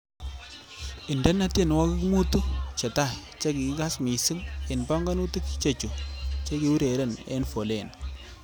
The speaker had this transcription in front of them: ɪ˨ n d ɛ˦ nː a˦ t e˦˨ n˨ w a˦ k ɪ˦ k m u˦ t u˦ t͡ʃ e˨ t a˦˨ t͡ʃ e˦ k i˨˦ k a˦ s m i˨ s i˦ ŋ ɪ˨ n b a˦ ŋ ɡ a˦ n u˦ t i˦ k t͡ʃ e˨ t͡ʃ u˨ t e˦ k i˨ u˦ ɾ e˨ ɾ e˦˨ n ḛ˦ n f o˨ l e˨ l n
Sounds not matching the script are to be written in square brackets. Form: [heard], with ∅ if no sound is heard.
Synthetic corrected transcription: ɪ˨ n d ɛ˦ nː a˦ t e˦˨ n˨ w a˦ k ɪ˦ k m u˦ t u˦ t͡ʃ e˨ t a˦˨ t͡ʃ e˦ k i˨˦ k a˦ s m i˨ s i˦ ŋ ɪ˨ n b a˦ ŋ ɡ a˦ n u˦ t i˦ k t͡ʃ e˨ t͡ʃ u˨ [t͡ʃ] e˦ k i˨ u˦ ɾ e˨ ɾ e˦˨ n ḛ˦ n f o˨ l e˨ [∅] n